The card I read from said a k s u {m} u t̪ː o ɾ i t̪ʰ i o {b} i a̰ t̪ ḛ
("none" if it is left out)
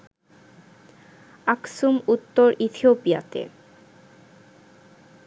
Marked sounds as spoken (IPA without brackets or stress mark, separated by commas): m, p